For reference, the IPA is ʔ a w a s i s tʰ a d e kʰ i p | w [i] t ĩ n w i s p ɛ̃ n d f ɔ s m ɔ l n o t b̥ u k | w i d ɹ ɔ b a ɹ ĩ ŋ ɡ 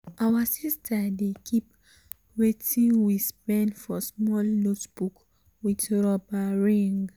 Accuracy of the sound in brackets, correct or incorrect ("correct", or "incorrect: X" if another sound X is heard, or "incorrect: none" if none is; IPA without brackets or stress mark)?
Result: incorrect: e